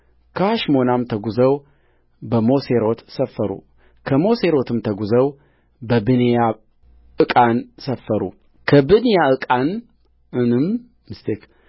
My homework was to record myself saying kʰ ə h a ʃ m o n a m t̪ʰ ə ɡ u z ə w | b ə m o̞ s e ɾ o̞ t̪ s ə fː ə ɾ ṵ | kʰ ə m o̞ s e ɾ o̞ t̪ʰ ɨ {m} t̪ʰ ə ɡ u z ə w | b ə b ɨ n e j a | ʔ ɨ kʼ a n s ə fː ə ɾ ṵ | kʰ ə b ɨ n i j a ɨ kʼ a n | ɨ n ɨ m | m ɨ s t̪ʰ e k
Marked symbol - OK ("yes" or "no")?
yes